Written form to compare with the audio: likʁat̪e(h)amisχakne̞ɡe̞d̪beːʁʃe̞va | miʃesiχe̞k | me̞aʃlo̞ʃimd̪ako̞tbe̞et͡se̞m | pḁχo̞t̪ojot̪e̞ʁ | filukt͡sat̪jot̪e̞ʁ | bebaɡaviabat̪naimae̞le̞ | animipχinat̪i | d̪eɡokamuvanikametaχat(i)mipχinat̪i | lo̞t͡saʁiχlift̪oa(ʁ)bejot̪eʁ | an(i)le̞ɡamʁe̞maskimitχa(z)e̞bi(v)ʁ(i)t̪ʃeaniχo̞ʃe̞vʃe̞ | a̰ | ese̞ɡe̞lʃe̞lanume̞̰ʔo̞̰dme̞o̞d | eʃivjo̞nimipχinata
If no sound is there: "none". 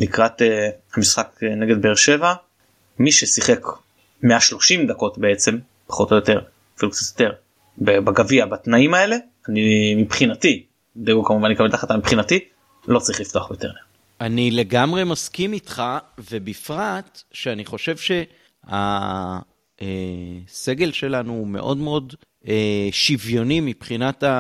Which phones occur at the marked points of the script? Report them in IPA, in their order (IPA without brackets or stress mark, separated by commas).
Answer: h, a, χ, i, v, f, a